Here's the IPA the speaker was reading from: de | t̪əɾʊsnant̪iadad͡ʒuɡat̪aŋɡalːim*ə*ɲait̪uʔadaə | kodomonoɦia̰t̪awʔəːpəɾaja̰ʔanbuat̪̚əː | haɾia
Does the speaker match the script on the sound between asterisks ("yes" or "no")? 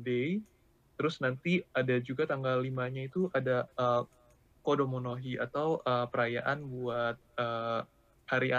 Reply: no